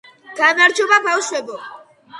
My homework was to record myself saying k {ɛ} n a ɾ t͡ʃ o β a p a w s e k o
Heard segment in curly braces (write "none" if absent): a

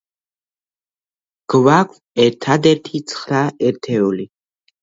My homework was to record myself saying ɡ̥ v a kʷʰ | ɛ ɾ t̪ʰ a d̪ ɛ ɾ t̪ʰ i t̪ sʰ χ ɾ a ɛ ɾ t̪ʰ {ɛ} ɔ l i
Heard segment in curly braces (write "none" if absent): ɛ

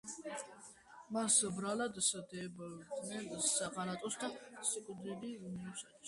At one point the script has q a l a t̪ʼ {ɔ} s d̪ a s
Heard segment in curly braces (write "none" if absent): ɔ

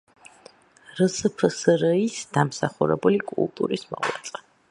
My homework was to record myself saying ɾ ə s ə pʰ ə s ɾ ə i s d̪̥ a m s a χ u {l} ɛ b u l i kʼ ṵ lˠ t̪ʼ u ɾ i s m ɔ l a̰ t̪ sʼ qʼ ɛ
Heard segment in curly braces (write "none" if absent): ɾ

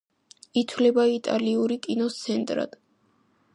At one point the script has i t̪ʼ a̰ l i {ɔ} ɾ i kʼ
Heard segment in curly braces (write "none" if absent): u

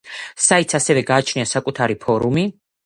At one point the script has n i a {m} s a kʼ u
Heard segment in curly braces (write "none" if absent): none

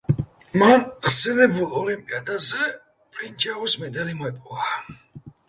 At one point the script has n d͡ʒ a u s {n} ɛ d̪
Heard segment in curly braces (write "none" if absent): m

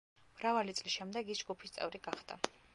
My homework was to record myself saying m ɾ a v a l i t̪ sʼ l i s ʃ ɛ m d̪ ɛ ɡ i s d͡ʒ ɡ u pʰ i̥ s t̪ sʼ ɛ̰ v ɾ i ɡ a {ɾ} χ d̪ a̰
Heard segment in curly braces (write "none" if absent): none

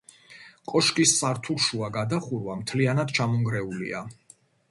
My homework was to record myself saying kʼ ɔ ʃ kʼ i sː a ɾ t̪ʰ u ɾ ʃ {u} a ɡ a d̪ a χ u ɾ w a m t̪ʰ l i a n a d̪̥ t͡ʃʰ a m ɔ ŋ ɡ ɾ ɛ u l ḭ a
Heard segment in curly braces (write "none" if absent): u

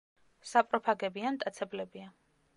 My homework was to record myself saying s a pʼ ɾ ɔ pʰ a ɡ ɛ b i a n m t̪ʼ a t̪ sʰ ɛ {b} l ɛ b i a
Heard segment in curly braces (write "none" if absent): b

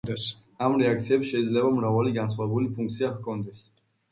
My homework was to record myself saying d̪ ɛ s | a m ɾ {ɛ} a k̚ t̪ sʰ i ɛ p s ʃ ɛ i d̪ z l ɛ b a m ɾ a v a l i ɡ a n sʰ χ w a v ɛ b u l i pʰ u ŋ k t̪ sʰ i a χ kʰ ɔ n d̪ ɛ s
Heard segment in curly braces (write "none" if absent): ɛ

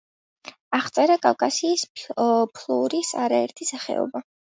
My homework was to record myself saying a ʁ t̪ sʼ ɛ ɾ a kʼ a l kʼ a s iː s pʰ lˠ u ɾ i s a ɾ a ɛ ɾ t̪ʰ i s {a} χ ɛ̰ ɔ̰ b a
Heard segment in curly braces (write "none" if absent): a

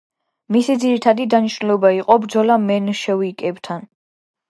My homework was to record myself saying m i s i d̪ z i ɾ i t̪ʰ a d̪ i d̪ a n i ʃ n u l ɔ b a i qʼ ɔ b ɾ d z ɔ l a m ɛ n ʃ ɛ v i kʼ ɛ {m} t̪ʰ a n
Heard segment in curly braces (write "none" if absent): b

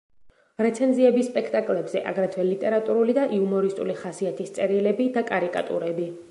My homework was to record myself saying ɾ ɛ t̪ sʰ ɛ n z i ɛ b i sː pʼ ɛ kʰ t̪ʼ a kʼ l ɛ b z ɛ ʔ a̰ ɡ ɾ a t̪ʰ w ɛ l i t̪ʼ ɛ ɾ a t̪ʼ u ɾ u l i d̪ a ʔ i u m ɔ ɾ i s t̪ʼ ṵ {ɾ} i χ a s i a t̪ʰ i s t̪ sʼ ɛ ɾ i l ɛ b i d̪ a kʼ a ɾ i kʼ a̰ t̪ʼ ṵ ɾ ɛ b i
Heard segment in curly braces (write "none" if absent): l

